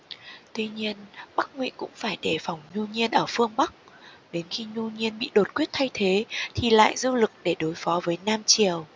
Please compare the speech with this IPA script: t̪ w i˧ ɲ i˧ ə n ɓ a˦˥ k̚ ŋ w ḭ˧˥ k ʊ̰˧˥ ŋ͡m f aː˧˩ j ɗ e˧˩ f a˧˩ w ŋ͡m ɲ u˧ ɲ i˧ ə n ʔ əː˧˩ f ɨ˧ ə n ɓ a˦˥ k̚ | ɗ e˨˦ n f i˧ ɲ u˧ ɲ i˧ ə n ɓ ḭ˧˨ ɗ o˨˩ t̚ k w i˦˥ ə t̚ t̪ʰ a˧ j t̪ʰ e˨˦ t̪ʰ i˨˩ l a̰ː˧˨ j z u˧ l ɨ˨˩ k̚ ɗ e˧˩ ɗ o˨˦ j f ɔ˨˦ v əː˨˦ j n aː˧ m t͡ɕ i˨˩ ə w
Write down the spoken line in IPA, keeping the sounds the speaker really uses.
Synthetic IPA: t̪ w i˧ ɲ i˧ ə n ɓ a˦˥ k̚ ŋ w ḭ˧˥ k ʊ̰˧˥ ŋ͡m f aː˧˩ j ɗ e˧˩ f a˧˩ w ŋ͡m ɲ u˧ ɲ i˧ ə n ʔ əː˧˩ f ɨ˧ ə ŋ ɓ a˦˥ k̚ | ɗ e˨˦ n x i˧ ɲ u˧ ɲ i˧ ə n ɓ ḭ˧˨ ɗ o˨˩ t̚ k w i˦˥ ə t̚ t̪ʰ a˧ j t̪ʰ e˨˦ t̪ʰ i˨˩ l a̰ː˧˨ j z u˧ l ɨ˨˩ k̚ ɗ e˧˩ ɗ o˨˦ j f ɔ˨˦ v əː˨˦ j n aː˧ m t͡ɕ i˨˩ ə w

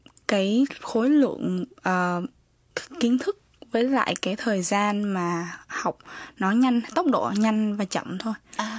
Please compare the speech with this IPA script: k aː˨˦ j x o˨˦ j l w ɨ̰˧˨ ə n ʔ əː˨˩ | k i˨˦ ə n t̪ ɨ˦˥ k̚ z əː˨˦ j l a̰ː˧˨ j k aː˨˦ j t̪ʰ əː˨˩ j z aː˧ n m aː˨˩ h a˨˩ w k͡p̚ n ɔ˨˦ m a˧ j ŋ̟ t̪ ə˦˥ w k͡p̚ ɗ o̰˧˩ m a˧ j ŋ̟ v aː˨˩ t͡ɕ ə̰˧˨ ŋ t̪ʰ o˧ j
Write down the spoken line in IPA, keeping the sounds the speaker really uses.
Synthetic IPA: k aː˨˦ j x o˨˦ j l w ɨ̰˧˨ ə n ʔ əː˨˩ | k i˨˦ ə n t̪ʰ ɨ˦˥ k̚ v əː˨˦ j l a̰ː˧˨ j k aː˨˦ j t̪ʰ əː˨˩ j z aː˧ n m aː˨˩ h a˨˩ w k͡p̚ n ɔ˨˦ ɲ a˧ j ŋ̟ t̪ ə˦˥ w k͡p̚ ɗ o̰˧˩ ɲ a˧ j ŋ̟ v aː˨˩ t͡ɕ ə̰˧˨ m t̪ʰ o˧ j

